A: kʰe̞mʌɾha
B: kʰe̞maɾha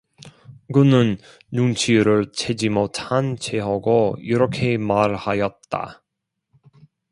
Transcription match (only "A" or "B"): B